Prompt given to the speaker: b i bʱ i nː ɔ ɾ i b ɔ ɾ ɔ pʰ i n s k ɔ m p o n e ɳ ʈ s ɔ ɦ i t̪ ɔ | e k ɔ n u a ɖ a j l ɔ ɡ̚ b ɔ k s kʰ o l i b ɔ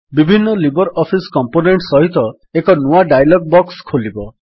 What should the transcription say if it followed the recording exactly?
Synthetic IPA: b i bʱ i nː ɔ l i b ɔ ɾ ɔ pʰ i s k ɔ m p o n e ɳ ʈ s ɔ ɦ i t̪ ɔ | e k ɔ n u a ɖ a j l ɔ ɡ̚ b ɔ k s kʰ o l i b ɔ